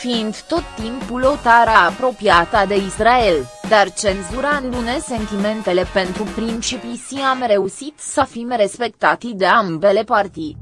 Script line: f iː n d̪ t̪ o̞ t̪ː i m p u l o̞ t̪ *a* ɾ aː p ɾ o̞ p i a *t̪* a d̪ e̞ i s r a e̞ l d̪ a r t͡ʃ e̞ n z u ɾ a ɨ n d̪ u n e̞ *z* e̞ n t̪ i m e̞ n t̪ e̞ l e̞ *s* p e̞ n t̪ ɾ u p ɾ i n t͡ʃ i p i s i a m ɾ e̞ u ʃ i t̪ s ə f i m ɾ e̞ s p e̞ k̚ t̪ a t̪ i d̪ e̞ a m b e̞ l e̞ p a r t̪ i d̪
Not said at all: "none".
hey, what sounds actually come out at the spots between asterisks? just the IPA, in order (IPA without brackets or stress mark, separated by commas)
a, t̪, s, none